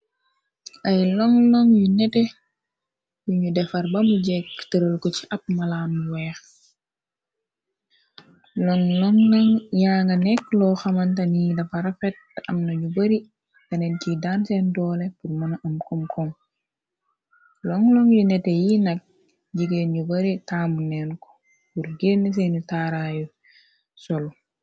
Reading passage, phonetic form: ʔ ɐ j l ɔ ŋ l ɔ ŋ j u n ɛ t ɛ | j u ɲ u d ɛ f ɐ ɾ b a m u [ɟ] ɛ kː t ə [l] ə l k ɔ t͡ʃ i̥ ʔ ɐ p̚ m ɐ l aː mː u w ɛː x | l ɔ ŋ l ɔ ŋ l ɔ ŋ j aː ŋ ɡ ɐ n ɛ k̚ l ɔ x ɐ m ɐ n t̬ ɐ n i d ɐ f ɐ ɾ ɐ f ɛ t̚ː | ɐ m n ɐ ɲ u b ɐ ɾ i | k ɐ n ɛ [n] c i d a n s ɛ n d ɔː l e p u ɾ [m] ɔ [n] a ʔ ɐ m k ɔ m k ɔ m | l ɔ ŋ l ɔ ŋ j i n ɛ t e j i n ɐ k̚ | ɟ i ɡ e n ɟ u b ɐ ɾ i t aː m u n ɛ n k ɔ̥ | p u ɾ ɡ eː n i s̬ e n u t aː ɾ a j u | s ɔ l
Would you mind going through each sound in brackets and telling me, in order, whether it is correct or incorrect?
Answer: correct, incorrect: ɾ, correct, correct, correct

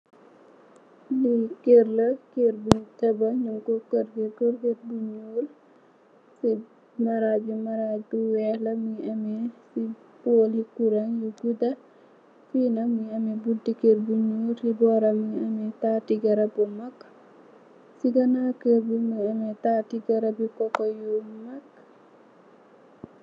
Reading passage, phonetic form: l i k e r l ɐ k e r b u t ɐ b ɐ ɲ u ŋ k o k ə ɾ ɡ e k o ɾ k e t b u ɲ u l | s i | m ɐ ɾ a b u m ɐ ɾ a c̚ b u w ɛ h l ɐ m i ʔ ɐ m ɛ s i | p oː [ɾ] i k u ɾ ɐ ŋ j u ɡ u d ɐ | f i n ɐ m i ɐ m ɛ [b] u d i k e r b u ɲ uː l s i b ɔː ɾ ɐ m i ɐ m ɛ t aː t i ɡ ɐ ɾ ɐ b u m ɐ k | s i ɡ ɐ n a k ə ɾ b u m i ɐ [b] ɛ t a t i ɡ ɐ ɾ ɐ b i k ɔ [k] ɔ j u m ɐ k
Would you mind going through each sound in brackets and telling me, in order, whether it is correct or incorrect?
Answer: incorrect: l, correct, incorrect: m, correct

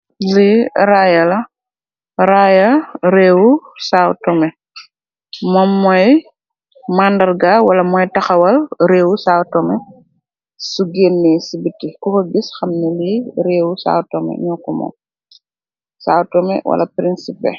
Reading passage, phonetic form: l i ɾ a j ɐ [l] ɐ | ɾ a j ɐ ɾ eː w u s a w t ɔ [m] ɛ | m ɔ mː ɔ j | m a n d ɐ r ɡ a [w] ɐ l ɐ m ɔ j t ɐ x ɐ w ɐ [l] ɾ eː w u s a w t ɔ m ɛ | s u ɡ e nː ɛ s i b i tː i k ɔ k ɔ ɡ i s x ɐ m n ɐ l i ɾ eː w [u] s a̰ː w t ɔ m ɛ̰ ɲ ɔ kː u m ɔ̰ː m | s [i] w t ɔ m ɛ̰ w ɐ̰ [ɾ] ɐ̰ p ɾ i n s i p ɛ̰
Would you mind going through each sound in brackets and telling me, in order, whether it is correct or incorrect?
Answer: correct, correct, correct, correct, correct, incorrect: a, incorrect: l

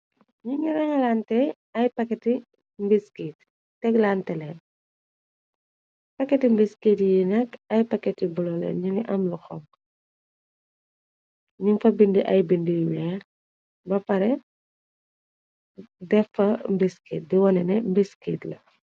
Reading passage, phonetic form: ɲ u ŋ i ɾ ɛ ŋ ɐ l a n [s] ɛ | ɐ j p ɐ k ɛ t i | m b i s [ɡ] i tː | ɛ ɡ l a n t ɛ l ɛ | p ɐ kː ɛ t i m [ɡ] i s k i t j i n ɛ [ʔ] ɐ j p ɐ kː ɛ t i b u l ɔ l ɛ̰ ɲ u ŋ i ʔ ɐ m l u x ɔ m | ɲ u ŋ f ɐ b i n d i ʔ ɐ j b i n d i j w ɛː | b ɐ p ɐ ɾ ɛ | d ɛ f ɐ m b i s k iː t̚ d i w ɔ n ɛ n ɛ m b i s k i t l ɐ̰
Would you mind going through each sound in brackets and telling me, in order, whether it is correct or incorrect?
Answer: incorrect: t, incorrect: k, incorrect: b, incorrect: k

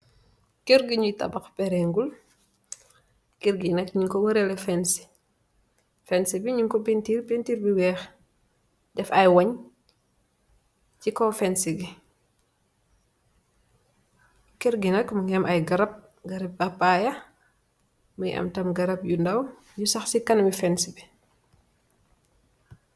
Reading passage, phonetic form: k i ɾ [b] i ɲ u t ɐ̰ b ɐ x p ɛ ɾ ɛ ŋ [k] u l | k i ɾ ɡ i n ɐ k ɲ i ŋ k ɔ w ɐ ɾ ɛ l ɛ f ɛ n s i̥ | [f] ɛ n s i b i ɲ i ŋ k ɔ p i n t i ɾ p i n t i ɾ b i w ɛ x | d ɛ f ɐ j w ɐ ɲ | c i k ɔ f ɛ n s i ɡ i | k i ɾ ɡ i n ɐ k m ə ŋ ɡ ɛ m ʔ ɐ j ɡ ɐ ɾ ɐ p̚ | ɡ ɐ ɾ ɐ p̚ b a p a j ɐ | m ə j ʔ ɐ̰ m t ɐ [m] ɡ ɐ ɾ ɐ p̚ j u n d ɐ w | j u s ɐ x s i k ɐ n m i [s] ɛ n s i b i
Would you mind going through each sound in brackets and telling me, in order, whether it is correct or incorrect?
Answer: incorrect: ɡ, incorrect: ɡ, correct, correct, incorrect: f

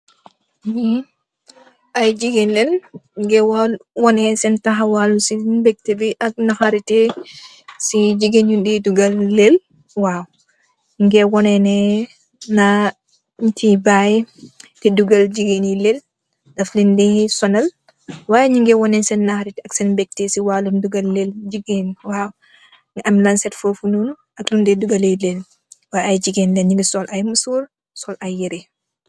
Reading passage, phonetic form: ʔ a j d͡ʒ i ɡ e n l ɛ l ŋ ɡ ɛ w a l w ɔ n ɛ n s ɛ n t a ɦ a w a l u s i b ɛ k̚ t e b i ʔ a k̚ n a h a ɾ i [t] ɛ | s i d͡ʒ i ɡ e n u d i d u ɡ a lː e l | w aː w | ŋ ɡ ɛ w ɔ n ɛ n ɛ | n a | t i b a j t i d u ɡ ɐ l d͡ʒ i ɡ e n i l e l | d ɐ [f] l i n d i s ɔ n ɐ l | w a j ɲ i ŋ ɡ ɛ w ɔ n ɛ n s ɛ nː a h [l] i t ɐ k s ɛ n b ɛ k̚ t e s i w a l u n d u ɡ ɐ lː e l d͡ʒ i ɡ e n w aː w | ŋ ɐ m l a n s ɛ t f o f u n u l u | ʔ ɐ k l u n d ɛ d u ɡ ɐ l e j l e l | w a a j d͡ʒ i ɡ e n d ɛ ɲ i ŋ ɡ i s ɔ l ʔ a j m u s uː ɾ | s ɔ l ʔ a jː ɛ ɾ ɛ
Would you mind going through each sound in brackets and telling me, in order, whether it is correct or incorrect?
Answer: correct, correct, incorrect: ɾ

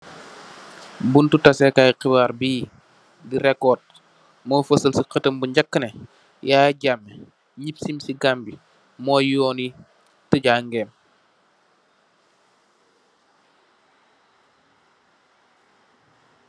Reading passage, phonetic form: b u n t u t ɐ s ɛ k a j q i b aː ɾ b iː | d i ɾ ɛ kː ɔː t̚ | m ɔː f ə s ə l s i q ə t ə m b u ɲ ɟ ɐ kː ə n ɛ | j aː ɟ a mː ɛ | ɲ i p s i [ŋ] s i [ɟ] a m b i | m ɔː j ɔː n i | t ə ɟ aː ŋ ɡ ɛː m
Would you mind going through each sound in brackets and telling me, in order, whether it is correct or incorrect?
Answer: incorrect: m, incorrect: ɡ

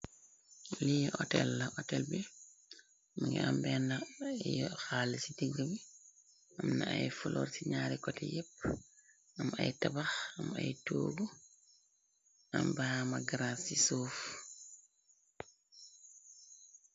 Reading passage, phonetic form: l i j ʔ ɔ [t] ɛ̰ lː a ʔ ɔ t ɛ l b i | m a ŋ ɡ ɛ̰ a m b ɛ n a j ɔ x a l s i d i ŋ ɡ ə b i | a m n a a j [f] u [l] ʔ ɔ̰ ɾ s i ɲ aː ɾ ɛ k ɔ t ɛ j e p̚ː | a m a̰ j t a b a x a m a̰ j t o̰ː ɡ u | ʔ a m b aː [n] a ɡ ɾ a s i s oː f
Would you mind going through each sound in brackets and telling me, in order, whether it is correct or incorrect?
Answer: correct, correct, correct, incorrect: m

